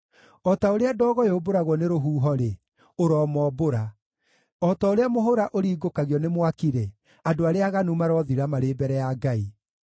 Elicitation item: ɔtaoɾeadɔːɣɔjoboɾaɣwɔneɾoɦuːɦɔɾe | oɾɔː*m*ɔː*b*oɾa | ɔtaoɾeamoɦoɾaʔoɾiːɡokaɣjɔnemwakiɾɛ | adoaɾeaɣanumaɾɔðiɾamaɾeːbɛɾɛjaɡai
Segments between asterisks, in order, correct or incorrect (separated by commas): correct, correct